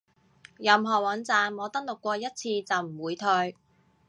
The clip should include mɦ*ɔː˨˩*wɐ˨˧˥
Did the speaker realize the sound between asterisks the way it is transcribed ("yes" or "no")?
yes